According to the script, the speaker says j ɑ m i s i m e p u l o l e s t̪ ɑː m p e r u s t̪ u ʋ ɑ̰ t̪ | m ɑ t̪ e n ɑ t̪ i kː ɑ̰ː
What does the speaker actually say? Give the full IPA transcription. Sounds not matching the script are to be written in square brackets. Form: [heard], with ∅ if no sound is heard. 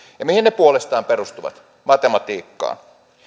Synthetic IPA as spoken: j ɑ m i [h] i [n] e p u [∅] o l e s t̪ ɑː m p e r u s t̪ u ʋ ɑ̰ t̪ | m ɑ t̪ e [m] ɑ t̪ [iː] kː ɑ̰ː